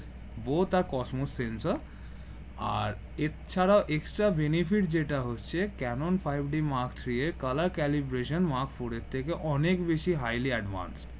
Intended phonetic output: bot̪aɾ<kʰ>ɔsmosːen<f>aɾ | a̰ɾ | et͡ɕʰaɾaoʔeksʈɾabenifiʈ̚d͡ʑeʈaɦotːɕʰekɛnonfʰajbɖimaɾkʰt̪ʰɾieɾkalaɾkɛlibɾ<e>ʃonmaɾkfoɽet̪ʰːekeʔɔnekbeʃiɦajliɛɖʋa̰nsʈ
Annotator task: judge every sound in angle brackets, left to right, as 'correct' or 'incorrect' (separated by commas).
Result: incorrect, incorrect, correct